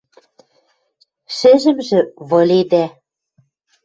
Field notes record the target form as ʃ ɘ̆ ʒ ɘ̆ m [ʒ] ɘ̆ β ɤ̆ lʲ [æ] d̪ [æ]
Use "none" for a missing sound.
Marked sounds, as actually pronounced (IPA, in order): ʒ, e, æ

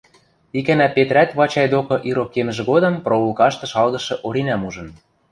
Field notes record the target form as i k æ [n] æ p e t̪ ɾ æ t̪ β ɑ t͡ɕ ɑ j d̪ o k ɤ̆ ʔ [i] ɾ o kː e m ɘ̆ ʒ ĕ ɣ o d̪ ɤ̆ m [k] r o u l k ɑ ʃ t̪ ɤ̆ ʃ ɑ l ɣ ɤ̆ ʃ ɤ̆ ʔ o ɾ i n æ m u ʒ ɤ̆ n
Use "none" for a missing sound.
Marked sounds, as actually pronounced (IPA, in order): n, i, p

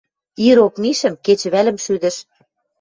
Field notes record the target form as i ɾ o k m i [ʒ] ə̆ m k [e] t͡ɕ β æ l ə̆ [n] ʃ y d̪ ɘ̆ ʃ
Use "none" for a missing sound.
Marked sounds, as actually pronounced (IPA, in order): ʃ, e, m

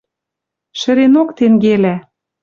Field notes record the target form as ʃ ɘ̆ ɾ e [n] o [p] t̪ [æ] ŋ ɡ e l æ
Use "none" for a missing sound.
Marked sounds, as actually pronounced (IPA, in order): n, k, e

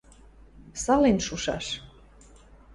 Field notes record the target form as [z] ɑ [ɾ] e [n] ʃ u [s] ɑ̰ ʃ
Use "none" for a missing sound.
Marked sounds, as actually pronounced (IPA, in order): s, l, n, ʃ

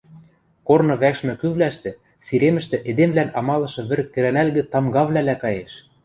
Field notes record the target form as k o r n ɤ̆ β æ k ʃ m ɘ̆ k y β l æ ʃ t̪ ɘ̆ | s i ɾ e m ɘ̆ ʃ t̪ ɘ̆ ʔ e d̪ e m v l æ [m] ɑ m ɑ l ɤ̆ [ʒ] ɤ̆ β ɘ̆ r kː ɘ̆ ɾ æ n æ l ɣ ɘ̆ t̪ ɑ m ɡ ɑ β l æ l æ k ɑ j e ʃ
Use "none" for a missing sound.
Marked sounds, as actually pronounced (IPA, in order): n, ʃ

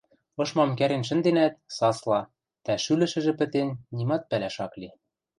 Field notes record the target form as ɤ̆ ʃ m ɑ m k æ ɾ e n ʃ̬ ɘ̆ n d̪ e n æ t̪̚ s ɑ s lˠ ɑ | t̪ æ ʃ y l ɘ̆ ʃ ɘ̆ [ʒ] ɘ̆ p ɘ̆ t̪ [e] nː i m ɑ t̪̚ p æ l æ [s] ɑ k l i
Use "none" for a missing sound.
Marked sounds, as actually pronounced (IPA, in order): ʒ, e, ʃ

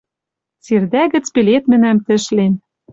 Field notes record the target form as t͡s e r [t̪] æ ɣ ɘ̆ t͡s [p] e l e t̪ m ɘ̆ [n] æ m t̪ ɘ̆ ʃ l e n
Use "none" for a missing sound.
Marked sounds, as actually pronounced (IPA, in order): d̪, p, n

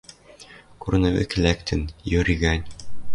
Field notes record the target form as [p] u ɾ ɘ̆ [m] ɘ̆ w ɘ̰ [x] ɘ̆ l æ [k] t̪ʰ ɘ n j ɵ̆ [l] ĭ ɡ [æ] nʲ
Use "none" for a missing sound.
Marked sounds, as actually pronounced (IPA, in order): k, n, k, k, ɾ, æ

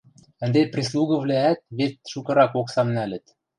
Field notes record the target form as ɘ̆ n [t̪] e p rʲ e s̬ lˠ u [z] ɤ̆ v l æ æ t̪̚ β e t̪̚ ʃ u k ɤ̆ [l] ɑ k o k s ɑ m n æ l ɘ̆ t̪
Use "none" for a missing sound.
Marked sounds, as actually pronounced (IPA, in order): d̪, ɣ, ɾ

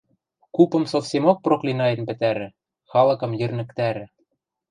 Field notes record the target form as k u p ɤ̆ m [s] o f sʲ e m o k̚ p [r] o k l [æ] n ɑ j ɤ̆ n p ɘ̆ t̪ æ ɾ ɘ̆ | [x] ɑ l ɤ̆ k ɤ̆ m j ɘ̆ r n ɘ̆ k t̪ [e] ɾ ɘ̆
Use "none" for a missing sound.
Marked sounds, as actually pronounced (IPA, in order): s, r, i, x, æ

